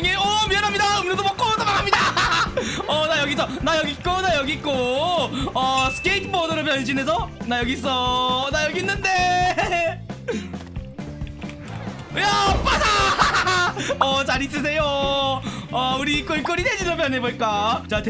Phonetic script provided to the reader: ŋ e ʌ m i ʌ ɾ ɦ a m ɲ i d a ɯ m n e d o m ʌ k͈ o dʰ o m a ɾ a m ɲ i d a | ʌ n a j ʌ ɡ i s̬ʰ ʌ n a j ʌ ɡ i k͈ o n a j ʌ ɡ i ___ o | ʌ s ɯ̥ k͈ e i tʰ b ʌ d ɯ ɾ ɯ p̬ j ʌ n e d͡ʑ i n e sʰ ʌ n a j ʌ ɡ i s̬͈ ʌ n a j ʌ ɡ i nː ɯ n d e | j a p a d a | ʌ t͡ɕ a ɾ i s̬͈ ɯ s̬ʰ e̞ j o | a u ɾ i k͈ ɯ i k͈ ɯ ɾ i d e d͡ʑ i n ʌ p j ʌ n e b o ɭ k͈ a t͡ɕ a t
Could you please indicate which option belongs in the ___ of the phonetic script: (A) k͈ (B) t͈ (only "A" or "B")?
A